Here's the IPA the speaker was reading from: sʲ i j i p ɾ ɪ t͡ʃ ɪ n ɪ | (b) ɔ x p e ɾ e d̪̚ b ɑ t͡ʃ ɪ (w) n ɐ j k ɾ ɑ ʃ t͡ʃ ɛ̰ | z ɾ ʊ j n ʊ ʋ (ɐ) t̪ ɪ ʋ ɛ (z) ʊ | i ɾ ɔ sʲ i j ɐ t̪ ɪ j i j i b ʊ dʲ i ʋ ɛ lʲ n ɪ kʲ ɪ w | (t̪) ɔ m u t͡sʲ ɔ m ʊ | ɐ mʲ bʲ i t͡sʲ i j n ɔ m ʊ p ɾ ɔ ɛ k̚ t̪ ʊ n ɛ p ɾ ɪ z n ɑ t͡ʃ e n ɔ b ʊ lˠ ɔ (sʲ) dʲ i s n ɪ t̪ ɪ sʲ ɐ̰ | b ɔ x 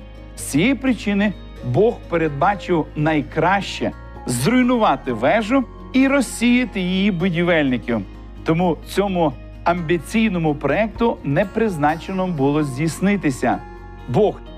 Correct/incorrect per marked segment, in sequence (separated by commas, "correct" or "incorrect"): correct, correct, incorrect, incorrect, correct, incorrect